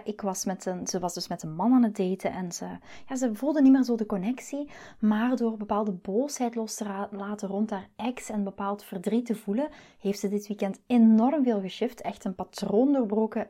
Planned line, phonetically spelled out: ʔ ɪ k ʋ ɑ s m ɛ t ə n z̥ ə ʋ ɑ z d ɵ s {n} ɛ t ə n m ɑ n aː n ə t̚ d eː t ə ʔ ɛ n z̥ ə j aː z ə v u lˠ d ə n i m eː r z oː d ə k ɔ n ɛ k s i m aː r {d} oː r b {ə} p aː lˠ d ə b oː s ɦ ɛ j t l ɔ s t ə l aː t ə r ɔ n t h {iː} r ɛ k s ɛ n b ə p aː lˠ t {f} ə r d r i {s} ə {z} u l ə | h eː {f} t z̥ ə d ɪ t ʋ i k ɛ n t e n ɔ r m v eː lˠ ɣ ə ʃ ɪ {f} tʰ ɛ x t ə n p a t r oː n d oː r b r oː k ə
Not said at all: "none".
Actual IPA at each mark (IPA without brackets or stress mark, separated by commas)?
m, d, ə, aː, f, t, v, f, f